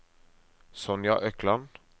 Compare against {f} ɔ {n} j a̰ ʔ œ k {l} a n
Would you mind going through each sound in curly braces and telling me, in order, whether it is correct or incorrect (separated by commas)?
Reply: incorrect, correct, correct